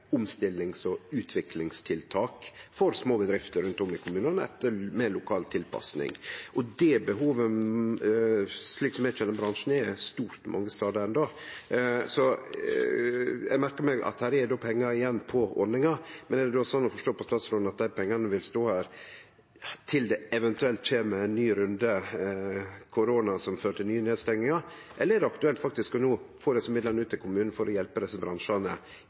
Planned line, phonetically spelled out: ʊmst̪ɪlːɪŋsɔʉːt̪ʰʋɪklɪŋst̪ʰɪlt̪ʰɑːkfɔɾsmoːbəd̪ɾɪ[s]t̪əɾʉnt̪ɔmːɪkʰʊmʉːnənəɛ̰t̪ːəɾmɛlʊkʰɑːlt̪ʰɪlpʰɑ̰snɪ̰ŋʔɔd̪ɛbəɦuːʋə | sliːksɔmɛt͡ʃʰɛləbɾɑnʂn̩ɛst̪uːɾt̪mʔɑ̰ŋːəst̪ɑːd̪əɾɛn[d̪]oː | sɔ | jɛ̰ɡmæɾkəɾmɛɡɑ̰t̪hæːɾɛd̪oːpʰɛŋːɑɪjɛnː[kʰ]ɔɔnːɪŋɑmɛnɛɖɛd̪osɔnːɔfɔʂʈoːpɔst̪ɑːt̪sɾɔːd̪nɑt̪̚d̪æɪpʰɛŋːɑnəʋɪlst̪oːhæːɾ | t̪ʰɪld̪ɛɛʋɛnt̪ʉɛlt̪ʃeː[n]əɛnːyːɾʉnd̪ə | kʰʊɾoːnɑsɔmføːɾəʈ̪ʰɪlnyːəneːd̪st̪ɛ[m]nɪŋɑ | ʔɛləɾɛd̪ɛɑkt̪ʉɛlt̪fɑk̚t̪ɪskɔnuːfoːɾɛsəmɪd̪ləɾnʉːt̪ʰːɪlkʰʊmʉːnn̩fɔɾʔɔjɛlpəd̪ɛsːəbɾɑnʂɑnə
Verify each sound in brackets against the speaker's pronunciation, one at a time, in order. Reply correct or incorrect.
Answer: incorrect: f, correct, incorrect: pʰ, incorrect: m, incorrect: ŋ

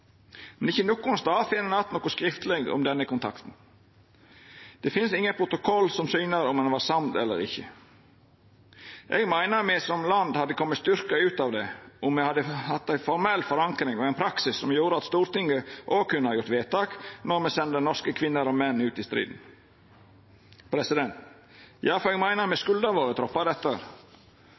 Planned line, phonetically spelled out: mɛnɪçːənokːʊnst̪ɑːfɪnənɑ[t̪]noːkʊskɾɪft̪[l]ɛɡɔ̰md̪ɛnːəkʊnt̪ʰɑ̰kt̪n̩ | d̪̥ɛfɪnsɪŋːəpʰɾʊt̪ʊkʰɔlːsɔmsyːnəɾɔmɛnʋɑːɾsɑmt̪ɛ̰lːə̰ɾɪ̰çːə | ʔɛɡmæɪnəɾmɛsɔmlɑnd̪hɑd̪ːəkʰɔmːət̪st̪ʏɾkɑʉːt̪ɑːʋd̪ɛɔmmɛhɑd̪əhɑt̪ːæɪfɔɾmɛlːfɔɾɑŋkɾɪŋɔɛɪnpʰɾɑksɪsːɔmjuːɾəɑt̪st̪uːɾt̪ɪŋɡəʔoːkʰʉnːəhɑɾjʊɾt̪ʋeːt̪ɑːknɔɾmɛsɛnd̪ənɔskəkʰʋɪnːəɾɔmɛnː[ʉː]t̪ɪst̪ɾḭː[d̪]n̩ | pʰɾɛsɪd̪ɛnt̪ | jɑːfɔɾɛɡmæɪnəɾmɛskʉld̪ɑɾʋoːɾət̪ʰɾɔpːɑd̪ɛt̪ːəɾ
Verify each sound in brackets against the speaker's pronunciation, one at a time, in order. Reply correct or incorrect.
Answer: correct, correct, correct, correct

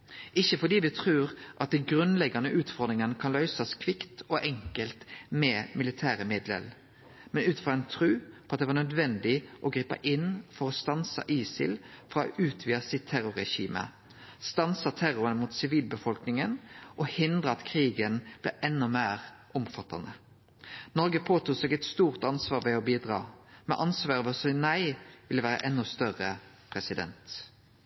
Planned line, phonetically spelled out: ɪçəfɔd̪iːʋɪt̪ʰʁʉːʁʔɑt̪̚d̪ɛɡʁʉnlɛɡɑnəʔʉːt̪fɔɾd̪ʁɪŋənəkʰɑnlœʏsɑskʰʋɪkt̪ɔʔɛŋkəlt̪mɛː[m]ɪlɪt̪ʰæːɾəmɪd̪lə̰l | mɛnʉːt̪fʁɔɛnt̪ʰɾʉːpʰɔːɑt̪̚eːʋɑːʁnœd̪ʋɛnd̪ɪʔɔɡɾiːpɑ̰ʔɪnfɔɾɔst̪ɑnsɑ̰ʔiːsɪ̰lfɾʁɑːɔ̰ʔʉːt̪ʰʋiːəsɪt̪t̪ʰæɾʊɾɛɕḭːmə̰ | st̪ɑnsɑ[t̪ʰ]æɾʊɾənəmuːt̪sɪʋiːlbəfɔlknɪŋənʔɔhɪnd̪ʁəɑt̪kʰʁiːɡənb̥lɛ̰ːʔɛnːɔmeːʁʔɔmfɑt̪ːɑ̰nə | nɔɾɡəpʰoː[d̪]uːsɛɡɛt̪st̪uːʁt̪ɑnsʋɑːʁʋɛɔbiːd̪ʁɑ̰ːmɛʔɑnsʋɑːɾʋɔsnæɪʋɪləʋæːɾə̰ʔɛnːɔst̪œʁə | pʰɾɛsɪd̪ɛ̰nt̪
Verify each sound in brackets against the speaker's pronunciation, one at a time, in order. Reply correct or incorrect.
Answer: correct, correct, incorrect: t̪

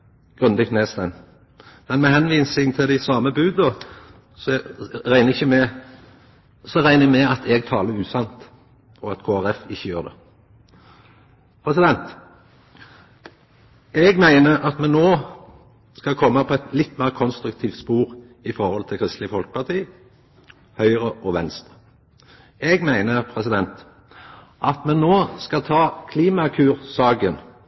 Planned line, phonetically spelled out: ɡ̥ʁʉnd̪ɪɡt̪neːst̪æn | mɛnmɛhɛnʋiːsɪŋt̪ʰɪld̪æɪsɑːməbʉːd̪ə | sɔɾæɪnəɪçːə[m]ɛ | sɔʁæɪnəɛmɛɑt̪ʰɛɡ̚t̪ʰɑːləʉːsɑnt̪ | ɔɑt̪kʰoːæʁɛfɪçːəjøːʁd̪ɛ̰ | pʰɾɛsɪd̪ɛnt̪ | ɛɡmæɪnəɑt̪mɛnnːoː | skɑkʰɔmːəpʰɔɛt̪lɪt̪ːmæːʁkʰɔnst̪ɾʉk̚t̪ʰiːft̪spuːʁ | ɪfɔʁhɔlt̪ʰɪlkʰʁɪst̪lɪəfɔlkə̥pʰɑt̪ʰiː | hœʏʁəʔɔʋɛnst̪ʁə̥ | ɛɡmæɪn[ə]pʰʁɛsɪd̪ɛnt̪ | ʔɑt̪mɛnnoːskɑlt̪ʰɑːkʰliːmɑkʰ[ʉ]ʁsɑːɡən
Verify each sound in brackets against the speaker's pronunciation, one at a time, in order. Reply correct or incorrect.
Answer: correct, correct, incorrect: ʉː

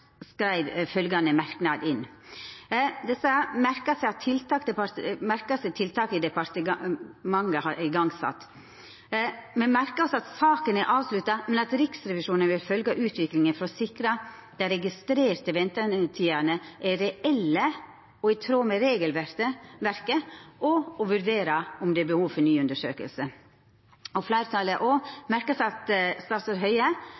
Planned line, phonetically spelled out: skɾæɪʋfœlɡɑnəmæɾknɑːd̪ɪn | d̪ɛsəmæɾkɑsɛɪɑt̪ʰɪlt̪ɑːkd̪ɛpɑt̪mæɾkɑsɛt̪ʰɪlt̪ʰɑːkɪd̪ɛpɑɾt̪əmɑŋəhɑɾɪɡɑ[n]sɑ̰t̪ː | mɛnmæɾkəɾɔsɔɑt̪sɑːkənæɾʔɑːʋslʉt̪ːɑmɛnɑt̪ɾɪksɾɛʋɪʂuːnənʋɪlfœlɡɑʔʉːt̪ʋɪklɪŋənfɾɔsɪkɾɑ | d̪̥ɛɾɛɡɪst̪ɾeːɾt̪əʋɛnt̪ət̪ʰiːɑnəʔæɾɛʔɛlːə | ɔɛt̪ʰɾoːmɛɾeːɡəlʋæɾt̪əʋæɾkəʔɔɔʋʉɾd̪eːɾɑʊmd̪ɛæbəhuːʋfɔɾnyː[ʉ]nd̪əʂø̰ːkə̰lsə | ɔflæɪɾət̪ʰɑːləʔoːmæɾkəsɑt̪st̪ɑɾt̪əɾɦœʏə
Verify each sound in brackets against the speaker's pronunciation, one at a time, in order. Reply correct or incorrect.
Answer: incorrect: ŋ, correct

